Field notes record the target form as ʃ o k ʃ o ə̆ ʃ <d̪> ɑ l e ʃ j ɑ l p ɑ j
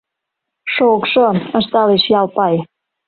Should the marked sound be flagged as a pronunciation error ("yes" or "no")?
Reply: yes